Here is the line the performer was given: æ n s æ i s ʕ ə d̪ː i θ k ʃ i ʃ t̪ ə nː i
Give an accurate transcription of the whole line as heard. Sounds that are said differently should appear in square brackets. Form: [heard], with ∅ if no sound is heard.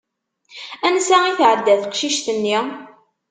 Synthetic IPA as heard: æ n s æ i [θ] ʕ ə d̪ː [æ] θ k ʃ i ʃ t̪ ə nː i